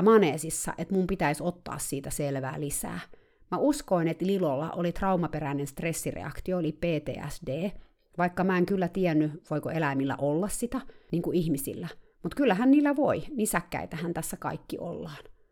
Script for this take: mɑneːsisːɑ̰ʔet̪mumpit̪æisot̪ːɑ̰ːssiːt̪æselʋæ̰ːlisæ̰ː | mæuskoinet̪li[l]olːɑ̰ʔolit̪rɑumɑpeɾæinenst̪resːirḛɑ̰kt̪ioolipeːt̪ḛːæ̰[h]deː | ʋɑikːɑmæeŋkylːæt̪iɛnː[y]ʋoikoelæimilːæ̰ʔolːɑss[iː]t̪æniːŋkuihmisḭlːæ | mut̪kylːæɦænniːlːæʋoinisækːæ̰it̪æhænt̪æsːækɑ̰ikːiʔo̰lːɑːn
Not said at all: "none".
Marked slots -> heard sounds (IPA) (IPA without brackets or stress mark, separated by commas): l, s, y, i